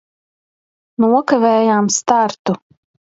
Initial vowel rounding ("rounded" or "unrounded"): rounded